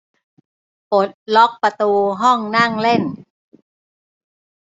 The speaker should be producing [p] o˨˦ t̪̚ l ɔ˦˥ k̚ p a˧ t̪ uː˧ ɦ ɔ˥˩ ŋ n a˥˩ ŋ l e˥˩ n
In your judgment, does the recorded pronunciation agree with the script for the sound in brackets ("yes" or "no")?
yes